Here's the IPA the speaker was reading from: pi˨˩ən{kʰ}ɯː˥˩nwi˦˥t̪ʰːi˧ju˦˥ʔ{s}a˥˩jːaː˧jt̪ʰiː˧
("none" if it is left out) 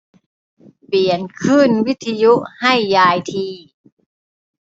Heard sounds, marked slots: kʰ, h

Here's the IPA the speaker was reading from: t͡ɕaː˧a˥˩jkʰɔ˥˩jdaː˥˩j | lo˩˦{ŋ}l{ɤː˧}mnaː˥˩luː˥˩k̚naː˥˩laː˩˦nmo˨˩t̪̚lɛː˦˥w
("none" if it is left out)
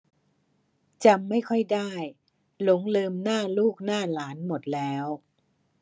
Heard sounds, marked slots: ŋ, ɤː˧

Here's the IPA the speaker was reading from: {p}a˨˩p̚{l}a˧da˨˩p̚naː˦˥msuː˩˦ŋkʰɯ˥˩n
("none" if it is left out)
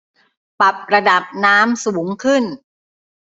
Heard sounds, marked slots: p, ɾ

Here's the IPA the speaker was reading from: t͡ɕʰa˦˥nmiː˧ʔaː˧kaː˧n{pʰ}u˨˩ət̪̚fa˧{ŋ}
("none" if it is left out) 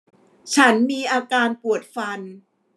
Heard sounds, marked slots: p, n

